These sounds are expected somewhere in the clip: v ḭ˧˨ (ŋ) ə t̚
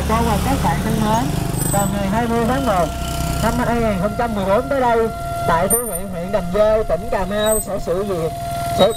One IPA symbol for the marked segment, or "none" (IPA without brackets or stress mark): none